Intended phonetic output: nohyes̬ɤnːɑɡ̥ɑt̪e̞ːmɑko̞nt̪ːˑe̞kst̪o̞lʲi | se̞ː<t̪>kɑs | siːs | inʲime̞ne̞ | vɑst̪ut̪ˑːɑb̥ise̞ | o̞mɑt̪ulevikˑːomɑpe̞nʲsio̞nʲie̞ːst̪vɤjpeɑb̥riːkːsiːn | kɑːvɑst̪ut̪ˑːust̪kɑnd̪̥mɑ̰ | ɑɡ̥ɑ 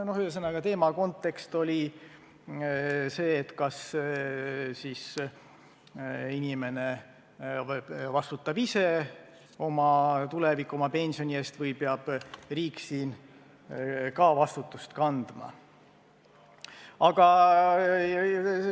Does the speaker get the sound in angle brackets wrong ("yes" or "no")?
no